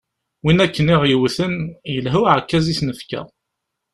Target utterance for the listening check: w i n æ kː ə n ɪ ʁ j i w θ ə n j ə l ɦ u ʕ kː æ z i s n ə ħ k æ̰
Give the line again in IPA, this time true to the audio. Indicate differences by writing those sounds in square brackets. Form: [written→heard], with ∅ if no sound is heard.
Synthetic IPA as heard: w i n æ kː ə n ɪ ʁ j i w θ ə n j ə l ɦ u ʕ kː æ z i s n ə [ħ→f] k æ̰